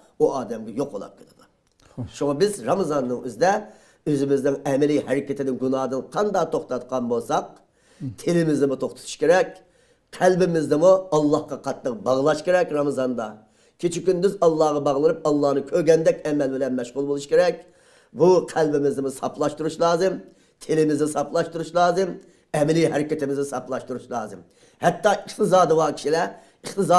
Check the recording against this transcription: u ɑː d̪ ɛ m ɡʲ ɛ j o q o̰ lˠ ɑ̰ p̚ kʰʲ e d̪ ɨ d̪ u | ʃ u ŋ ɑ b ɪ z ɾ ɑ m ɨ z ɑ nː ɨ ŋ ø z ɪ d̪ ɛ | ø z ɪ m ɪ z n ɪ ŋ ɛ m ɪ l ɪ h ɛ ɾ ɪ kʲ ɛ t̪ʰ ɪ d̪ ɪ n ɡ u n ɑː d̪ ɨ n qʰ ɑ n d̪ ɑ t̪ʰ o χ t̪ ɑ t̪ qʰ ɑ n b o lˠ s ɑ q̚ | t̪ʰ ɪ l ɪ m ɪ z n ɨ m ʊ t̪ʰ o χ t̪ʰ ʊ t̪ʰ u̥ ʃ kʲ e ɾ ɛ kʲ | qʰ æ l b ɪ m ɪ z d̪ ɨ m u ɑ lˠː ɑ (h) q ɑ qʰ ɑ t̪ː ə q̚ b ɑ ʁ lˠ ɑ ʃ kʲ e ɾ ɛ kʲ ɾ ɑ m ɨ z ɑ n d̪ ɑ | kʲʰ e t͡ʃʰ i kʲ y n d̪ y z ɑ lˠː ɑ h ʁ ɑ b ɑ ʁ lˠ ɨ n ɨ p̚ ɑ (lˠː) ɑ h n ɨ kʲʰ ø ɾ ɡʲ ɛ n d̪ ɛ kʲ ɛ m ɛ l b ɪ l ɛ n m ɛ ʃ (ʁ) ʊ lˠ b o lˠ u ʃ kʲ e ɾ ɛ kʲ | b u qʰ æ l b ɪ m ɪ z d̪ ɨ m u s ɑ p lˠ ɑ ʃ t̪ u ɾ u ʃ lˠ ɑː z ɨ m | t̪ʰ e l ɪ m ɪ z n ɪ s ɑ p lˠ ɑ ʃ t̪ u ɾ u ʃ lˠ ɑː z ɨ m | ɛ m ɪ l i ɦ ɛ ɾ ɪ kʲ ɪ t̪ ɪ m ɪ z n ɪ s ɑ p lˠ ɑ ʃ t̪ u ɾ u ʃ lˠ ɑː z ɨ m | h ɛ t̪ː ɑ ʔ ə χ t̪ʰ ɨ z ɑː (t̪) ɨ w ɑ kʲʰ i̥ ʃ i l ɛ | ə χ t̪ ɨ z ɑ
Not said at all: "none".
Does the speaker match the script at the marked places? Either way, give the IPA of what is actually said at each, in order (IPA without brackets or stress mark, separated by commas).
h, lˠː, ʁ, d̪